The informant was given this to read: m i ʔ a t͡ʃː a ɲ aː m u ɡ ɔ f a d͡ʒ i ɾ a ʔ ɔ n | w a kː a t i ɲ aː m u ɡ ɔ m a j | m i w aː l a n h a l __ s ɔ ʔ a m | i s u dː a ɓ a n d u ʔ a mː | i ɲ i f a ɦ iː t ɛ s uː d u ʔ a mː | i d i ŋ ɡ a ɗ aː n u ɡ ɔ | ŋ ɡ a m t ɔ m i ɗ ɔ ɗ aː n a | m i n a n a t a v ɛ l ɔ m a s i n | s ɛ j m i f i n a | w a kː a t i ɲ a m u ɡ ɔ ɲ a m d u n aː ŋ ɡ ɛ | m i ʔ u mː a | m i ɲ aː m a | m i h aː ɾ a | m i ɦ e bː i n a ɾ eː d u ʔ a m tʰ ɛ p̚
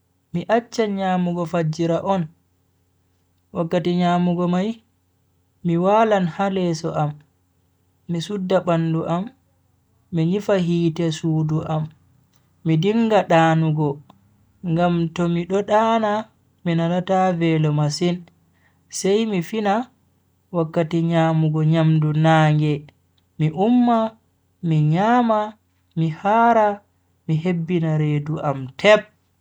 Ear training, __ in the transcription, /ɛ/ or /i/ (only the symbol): ɛ